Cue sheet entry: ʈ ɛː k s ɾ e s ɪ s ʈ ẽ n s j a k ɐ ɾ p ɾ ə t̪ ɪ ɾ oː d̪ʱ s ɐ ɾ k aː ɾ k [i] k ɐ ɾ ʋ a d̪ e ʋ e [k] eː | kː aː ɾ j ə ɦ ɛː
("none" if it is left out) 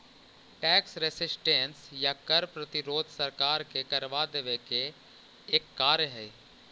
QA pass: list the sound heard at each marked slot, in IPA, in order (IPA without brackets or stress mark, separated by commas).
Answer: e, k